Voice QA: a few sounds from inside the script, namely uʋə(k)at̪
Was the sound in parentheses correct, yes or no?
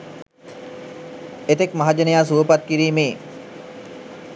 no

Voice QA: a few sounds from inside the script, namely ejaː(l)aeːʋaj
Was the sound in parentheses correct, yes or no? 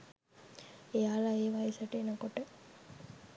yes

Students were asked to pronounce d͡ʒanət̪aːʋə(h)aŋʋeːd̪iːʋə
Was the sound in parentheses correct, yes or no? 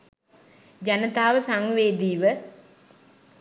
no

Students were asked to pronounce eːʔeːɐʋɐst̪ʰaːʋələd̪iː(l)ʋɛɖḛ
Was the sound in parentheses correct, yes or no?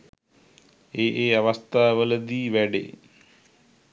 no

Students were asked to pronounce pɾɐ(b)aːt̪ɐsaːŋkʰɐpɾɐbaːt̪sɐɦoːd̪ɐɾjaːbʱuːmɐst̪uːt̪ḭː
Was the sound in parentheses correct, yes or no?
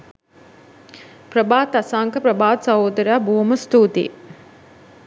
yes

